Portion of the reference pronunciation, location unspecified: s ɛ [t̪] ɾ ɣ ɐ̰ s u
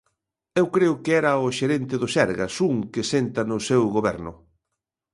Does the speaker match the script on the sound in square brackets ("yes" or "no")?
no